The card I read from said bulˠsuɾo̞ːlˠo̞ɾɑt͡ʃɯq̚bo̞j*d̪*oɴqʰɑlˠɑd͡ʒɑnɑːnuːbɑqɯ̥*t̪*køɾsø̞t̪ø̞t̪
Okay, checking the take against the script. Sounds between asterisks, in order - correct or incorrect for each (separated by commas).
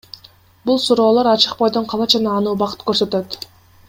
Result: correct, correct